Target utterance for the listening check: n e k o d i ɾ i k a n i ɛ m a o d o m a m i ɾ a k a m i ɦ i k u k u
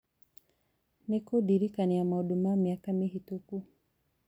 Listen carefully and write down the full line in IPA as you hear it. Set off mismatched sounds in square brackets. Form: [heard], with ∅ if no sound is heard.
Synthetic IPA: n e k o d i ɾ i k a n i [a] m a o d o m a m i [∅] a k a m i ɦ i [t] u k u